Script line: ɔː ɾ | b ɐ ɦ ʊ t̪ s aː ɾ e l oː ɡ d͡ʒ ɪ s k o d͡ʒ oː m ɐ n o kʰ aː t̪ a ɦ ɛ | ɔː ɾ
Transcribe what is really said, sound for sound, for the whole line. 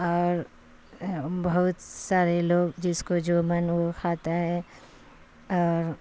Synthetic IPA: ɔː ɾ | b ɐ ɦ ʊ t̪ s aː ɾ e l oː ɡ d͡ʒ ɪ s k o d͡ʒ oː m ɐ n o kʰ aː t̪ a ɦ ɛ | ɔː ɾ